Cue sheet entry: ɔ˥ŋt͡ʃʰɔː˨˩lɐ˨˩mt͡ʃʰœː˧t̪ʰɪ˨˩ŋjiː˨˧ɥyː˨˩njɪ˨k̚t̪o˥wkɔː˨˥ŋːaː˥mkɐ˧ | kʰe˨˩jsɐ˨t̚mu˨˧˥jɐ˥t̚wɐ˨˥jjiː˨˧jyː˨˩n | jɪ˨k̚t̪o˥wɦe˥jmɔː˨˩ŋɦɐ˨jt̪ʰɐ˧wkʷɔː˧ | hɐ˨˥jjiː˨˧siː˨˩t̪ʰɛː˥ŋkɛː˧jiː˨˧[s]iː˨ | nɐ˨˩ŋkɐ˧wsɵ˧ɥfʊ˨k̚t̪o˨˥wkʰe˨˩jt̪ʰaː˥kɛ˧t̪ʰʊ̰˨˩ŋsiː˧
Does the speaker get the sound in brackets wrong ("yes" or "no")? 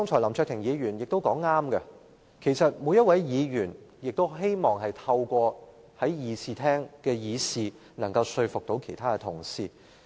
no